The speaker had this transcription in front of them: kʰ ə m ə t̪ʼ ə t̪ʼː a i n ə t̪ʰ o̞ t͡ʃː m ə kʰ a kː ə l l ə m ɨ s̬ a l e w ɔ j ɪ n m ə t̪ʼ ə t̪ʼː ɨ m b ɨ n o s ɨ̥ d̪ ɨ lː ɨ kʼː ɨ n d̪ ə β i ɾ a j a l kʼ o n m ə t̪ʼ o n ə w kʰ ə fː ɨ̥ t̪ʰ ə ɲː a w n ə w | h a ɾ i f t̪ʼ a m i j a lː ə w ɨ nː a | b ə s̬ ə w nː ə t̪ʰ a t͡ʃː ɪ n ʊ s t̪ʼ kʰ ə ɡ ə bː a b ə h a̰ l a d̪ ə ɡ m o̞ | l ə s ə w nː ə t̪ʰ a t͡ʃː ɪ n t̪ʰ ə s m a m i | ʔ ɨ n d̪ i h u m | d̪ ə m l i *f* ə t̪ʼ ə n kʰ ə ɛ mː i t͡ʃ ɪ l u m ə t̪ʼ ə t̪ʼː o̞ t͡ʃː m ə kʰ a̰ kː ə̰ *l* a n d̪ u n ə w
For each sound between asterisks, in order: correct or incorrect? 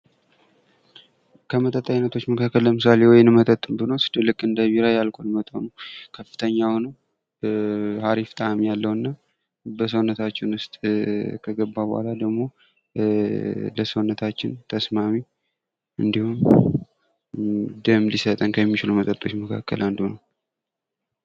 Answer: incorrect: s, correct

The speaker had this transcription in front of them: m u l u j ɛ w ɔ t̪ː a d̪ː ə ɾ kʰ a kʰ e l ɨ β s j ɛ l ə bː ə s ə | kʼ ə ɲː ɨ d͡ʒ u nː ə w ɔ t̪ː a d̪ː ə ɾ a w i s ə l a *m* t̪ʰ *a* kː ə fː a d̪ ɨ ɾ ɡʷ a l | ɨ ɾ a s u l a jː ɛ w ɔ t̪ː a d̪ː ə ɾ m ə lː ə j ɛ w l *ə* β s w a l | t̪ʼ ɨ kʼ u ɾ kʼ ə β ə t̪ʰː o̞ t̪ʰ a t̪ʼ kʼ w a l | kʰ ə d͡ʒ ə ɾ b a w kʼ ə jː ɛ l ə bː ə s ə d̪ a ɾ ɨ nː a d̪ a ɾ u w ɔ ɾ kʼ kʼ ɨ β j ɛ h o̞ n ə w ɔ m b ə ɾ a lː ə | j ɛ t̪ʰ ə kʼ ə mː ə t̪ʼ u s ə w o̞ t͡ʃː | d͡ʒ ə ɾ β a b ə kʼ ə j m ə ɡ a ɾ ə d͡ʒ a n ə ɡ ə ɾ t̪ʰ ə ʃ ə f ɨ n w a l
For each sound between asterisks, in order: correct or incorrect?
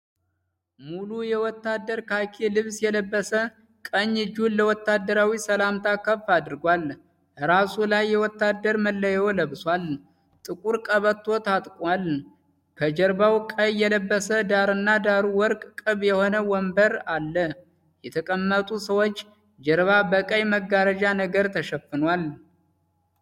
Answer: correct, correct, correct

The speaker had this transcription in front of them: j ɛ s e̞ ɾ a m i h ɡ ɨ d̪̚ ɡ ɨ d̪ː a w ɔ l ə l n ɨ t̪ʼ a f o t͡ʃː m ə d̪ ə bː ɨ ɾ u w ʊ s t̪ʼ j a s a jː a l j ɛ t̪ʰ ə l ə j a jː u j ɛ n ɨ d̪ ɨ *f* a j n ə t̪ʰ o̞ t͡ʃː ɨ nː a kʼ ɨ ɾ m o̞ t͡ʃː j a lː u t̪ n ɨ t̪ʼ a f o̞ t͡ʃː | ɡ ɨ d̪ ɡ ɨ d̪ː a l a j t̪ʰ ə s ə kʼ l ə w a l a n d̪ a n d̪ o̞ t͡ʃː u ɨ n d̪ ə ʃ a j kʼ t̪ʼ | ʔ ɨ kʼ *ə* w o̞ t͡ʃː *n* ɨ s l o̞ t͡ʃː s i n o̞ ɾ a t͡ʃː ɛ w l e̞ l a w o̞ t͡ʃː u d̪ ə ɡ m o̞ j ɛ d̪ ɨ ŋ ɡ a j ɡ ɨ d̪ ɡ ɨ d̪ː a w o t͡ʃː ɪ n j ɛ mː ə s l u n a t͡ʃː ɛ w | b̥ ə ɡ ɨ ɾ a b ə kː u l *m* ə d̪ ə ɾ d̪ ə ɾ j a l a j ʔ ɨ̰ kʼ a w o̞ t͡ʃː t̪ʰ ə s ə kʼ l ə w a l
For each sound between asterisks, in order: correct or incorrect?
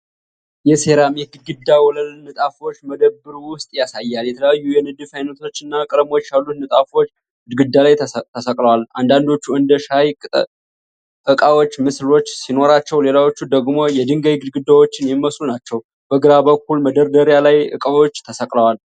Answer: correct, incorrect: a, incorrect: m, correct

